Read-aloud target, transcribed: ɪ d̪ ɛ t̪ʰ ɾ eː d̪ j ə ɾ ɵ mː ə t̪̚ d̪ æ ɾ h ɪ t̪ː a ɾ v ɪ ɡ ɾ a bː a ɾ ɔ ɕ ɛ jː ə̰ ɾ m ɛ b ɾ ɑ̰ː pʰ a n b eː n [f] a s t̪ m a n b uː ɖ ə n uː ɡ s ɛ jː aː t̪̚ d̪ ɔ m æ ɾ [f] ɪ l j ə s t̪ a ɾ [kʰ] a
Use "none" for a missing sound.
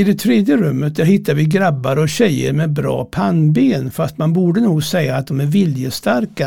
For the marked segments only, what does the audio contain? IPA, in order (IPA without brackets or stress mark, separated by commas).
f, v, k